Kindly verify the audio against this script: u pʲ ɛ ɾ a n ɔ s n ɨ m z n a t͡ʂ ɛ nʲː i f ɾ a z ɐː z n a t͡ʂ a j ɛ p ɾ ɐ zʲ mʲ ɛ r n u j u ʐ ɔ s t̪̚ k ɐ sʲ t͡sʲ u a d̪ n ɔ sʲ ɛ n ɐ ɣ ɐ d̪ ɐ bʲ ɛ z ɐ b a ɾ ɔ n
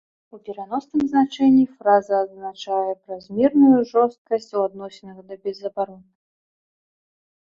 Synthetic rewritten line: u pʲ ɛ ɾ a n ɔ s n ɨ m z n a t͡ʂ ɛ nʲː i f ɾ a z ɐː z n a t͡ʂ a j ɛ p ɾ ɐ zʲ mʲ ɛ r n u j u ʐ ɔ s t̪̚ k ɐ sʲ t͡sʲ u a d̪ n ɔ sʲ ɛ n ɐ ɣ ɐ d̪ ɐ bʲ ɛ z ɐ b a ɾ ɔ n